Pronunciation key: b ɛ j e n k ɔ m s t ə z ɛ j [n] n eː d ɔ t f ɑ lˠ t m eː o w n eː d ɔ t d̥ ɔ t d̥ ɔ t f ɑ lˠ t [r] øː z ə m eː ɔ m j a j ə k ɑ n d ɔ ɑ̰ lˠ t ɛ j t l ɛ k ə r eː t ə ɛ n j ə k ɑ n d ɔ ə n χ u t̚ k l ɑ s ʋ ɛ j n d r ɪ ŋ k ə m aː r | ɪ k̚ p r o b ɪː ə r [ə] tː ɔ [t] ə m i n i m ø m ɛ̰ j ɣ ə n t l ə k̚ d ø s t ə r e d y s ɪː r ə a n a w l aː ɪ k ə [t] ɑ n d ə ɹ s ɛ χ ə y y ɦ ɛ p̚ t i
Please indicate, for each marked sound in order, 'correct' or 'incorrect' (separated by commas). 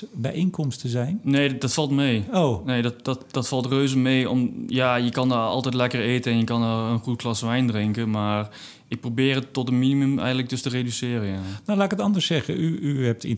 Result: correct, correct, correct, correct, correct